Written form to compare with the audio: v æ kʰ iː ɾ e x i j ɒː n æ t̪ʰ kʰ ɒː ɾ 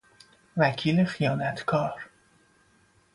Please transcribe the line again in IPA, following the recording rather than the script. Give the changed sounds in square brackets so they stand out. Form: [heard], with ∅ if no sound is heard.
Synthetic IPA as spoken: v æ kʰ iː [l] e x i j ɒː n æ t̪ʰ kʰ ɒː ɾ